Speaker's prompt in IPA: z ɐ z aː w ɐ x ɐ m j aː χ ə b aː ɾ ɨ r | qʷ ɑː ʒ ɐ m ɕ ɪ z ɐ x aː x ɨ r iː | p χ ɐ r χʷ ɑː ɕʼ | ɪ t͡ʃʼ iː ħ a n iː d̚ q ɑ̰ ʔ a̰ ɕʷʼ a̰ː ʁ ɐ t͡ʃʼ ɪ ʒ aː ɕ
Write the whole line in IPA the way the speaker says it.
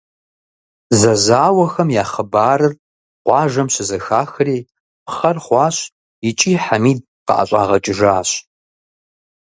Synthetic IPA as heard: z ɐ z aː w ɐ x ɐ m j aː χ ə b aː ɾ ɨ r | qʷ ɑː ʒ ɐ m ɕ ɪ z ɐ x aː x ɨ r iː | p χ ɐ r χʷ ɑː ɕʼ | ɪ t͡ʃʼ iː ħ a m iː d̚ q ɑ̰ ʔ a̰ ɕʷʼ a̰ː ʁ ɐ t͡ʃʼ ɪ ʒ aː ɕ